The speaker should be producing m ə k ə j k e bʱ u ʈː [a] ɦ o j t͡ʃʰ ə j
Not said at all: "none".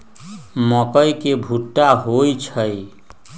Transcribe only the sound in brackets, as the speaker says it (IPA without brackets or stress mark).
a